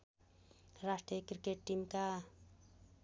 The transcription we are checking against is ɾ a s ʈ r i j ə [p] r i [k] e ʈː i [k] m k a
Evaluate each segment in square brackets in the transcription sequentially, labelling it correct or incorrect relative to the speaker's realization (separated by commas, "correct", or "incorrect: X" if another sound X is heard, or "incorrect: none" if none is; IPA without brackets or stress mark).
incorrect: k, correct, incorrect: none